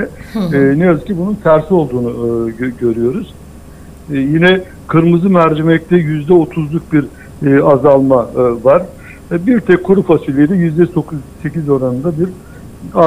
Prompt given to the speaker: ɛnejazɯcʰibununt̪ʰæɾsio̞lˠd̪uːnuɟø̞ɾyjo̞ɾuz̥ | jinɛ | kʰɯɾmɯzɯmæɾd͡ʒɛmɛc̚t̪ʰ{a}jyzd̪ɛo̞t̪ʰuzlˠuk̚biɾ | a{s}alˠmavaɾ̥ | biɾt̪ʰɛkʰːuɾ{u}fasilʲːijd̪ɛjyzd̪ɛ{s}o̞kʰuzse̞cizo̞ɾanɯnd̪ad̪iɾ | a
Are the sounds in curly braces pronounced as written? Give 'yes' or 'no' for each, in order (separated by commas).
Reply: no, no, yes, yes